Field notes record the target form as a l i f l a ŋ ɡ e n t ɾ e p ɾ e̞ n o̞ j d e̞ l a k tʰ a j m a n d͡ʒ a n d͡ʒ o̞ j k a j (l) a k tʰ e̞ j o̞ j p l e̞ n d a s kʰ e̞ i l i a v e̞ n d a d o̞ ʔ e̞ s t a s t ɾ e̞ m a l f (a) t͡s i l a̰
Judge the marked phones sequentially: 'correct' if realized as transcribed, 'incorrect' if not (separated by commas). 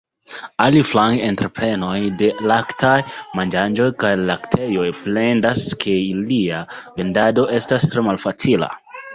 correct, correct